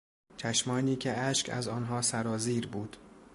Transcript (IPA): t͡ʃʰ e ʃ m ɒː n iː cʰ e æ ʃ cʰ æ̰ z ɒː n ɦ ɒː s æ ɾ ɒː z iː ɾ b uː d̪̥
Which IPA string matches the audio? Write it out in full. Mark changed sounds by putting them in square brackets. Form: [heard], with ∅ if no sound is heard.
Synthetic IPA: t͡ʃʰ [æ] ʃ m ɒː n iː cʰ e æ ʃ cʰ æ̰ z ɒː n ɦ ɒː s æ ɾ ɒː z iː ɾ b uː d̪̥